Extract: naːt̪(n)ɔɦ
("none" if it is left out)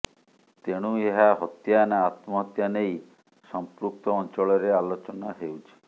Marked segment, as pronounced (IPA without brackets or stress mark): m